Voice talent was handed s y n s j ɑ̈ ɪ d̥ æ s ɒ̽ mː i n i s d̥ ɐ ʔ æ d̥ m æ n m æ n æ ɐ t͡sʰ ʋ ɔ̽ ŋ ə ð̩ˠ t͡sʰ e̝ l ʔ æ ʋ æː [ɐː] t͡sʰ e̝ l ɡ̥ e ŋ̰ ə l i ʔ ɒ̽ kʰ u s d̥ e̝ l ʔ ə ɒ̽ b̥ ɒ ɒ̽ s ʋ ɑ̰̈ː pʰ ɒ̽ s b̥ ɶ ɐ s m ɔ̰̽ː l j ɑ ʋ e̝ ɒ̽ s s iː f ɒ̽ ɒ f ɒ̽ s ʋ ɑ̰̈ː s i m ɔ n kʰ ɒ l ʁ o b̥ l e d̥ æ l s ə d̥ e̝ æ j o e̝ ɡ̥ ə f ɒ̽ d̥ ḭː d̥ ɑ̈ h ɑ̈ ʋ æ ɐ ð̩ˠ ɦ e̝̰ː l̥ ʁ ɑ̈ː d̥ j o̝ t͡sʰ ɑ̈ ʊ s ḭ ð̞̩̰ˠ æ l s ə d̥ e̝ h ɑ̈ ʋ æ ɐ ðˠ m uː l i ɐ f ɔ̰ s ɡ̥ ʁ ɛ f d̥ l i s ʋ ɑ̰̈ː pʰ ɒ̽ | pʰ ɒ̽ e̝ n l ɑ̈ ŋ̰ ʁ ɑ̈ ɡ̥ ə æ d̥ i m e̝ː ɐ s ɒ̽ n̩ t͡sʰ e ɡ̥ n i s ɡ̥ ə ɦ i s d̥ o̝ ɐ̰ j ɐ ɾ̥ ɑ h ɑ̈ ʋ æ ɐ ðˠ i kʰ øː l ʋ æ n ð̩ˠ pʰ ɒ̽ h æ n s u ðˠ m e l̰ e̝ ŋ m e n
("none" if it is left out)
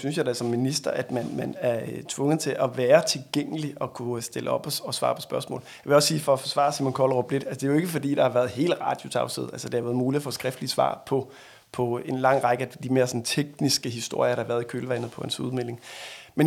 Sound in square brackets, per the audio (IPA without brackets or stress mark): ɐ